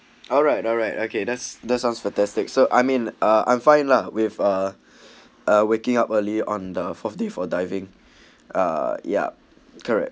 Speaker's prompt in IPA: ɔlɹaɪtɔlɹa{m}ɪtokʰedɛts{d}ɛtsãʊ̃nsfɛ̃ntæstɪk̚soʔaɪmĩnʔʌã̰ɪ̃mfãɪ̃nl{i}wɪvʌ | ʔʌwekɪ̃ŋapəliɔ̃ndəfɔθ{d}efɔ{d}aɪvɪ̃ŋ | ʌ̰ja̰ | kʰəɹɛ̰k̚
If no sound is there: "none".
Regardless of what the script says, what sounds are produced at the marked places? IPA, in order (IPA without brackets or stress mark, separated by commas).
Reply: none, d, a, d, d